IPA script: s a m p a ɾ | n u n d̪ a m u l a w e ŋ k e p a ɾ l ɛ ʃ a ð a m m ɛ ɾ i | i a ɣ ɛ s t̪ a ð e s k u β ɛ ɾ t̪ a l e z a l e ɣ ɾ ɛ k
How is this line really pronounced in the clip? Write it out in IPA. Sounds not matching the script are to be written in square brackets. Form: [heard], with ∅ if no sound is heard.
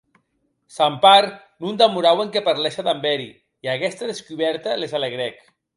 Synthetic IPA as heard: s a m p a ɾ | n u n d̪ a m u [ɾ] a w e ŋ k e p a ɾ l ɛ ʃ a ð a m [b] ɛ ɾ i | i a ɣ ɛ s t̪ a ð e s k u β ɛ ɾ t̪ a l e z a l e ɣ ɾ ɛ k